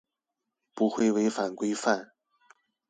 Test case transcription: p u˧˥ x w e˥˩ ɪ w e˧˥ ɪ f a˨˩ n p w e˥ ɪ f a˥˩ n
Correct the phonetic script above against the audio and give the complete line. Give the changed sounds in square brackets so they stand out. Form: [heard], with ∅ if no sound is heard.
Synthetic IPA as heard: p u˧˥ x w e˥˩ ɪ w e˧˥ ɪ f a˨˩ n [k] w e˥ ɪ f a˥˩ n